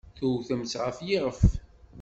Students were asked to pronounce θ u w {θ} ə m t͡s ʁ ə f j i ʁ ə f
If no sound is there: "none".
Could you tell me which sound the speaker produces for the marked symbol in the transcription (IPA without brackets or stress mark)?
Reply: θ